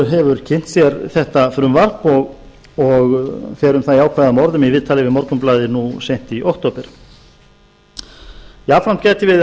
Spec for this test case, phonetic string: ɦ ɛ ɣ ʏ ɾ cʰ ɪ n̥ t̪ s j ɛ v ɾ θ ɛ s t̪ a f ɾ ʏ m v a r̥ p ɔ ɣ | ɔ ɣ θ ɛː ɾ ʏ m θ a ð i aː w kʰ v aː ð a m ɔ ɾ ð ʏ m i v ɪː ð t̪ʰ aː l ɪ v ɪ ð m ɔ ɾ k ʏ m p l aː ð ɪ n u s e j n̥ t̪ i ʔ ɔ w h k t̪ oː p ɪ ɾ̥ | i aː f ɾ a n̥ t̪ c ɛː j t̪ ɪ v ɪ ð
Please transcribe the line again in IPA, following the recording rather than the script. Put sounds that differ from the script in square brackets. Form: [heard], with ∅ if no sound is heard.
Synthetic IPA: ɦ ɛ [v] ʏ ɾ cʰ ɪ n̥ t̪ s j ɛ [∅] ɾ θ ɛ [h] t̪ a f ɾ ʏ m v a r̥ p ɔ ɣ | ɔ ɣ [f] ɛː ɾ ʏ m θ a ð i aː w kʰ v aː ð a m ɔ ɾ ð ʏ m i v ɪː ð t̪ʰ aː l ɪ v ɪ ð m ɔ ɾ k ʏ m p l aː ð ɪ n u s e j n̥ t̪ i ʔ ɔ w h k t̪ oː p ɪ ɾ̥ | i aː f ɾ a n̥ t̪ c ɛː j t̪ ɪ v ɪ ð